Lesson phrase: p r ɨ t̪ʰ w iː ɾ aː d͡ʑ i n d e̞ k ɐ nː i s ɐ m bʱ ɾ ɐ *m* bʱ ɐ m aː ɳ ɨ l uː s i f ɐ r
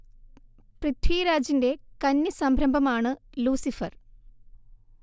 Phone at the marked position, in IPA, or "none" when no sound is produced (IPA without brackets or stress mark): m